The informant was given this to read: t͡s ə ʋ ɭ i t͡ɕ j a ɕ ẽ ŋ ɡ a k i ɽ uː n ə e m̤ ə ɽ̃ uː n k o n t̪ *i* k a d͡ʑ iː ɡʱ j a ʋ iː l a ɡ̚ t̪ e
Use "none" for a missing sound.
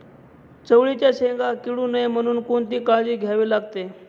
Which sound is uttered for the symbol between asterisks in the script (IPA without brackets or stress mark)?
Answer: iː